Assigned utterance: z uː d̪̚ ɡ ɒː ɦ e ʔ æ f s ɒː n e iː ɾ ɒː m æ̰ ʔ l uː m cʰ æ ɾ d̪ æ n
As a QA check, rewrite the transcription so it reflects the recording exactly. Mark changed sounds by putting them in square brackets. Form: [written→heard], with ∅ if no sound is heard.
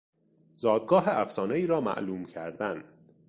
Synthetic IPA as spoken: z [uː→ɒː] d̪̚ ɡ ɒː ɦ e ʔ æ f s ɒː n e iː ɾ ɒː m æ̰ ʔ l uː m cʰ æ ɾ d̪ æ n